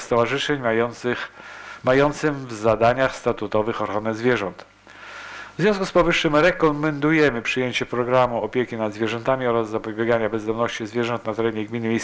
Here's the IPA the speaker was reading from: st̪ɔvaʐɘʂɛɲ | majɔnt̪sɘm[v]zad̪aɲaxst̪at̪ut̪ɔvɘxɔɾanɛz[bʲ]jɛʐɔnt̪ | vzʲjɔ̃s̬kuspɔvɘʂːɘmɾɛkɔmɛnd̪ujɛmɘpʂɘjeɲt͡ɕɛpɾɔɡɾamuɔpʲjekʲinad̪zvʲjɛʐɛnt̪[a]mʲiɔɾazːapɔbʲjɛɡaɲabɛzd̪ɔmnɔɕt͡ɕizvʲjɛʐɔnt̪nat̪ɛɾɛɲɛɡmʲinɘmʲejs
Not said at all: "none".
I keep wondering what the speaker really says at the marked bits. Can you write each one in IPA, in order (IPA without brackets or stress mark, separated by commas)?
v, vʲ, a